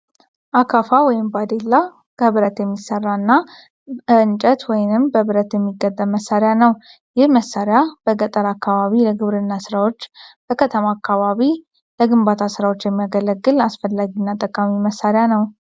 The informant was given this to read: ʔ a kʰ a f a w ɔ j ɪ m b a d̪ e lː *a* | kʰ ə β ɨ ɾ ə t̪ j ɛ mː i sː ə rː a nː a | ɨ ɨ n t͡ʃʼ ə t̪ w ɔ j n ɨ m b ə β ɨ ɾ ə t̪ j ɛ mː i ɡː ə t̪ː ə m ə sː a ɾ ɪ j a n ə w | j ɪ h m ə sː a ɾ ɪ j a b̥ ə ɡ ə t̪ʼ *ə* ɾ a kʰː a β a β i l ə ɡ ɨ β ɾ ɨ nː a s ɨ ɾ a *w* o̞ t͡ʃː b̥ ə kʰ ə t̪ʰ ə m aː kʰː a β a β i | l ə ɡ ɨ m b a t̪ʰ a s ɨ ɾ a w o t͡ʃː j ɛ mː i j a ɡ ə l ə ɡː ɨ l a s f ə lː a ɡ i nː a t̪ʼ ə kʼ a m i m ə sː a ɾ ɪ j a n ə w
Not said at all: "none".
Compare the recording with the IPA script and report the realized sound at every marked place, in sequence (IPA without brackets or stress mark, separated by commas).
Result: a, ə, w